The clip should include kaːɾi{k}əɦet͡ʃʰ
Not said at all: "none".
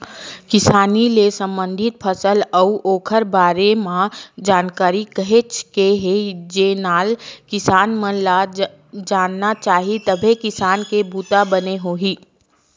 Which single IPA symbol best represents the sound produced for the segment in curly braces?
k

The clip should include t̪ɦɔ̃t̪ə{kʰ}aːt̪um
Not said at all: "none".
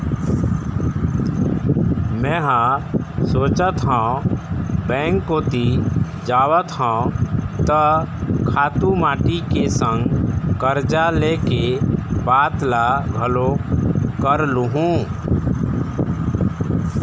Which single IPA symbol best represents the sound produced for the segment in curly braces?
kʰ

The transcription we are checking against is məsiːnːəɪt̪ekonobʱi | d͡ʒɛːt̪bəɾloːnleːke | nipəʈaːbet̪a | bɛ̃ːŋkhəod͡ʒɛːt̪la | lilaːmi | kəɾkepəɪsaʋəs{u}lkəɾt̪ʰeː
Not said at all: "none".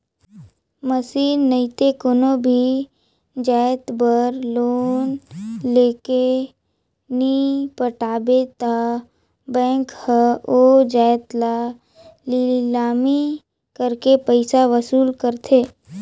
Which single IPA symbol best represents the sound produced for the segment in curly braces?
uː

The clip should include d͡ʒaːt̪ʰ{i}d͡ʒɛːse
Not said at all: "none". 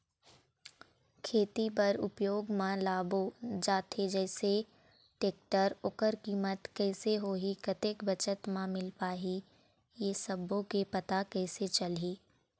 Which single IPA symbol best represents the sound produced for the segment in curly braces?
e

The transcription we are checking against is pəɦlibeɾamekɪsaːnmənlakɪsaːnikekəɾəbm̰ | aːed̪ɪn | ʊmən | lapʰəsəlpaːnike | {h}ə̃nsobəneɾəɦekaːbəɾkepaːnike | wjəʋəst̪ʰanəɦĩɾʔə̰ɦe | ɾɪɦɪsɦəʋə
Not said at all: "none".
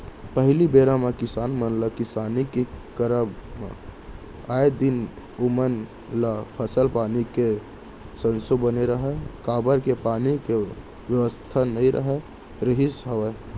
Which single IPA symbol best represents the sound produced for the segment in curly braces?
s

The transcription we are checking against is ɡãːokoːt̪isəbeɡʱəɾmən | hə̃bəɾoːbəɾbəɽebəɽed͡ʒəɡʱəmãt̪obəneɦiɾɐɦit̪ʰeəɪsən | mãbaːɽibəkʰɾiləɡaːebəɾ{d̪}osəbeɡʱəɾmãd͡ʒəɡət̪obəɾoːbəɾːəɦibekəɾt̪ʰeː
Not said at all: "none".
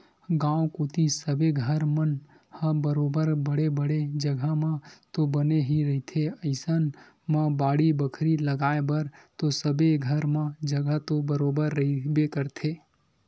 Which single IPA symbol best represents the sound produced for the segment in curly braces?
t̪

